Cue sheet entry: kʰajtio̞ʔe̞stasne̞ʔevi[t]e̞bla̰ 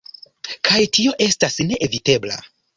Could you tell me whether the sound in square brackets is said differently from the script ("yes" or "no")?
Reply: no